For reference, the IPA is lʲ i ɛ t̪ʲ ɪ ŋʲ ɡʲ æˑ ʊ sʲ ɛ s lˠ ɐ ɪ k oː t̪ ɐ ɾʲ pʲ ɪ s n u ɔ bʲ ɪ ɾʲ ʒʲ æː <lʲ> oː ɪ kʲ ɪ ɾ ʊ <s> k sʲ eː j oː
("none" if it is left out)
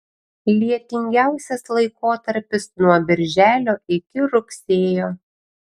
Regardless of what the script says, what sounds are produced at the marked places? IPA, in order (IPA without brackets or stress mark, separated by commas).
lʲ, none